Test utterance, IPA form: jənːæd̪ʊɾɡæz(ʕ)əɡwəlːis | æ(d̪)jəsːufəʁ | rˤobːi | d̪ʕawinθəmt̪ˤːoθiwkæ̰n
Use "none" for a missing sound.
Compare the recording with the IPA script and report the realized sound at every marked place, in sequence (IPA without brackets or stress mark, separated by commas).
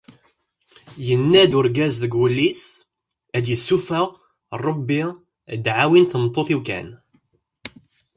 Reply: ð, d̪